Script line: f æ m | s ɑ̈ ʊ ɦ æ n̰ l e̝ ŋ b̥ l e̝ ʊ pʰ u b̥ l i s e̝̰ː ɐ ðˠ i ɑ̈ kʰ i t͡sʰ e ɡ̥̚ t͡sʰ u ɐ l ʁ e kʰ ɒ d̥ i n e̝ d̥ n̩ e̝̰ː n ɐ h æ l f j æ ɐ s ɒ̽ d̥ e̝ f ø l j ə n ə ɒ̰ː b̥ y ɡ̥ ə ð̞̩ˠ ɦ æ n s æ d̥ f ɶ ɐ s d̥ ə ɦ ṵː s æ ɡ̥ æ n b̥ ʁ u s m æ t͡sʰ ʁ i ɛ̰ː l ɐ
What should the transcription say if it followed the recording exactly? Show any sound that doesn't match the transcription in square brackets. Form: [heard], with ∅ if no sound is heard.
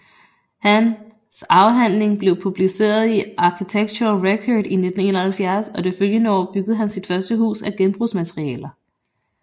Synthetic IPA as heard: [h] æ [n] | s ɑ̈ ʊ ɦ æ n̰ l e̝ ŋ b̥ l e̝ ʊ pʰ u b̥ l i s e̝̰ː ɐ ðˠ i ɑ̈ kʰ i t͡sʰ e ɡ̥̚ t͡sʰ u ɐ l ʁ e kʰ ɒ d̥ i n e̝ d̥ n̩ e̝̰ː n ɐ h æ l f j æ ɐ s ɒ̽ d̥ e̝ f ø l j ə n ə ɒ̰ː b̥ y ɡ̥ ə ð̞̩ˠ ɦ æ n s [i] d̥ f ɶ ɐ s d̥ ə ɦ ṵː s æ ɡ̥ [e] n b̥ ʁ u s m æ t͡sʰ ʁ i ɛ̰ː l ɐ